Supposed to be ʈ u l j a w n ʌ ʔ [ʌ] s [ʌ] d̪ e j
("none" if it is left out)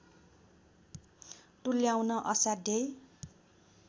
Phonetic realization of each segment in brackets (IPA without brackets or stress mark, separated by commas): ʌ, a